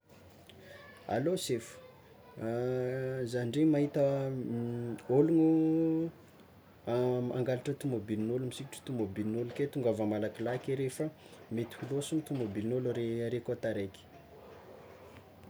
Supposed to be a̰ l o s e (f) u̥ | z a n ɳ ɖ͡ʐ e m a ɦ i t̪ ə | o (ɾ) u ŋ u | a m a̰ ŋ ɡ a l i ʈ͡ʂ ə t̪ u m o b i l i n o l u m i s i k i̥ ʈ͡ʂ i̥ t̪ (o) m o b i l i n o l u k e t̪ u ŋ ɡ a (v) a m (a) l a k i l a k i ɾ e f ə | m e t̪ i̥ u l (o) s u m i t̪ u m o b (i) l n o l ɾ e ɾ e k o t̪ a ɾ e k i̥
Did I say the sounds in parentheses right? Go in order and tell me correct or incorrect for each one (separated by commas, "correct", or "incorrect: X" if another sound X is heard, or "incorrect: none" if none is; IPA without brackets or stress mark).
correct, incorrect: l, incorrect: u, correct, correct, correct, correct